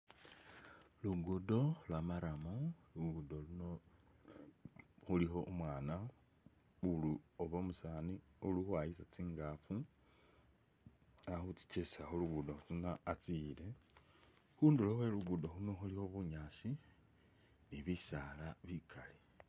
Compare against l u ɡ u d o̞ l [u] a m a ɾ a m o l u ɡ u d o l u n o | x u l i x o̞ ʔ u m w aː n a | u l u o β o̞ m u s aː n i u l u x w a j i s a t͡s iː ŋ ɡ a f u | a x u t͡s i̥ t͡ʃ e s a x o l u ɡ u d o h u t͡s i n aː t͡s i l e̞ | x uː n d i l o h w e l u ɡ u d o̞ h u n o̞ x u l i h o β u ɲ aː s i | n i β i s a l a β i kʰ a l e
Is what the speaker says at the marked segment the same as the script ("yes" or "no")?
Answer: no